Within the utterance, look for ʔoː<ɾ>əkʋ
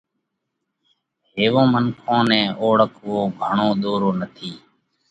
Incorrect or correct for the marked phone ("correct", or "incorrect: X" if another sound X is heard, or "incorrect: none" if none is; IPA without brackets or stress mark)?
incorrect: ɽ